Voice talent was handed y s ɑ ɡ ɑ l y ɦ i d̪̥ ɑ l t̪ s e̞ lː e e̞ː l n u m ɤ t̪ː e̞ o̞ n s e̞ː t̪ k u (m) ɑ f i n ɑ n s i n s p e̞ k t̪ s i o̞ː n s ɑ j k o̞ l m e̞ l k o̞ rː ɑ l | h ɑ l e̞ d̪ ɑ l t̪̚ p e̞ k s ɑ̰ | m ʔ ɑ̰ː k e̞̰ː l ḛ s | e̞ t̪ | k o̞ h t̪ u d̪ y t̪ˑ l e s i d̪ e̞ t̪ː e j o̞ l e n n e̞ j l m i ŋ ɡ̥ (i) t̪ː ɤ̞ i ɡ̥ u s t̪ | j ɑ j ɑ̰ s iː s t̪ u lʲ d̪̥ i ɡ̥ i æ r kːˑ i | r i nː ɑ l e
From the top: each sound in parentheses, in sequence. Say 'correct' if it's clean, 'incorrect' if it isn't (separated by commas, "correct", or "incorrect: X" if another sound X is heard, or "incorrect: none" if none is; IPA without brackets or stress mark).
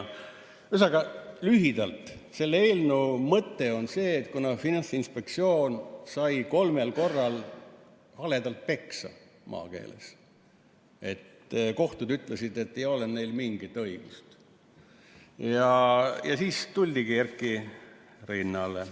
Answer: incorrect: n, correct